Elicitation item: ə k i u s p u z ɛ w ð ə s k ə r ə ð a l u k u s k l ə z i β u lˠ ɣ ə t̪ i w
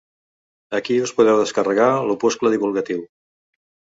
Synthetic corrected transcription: ə k i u s p u ð ɛ w ð ə s k ə r ə ɣ a l u p u s k l ə ð i β u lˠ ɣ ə t̪ i w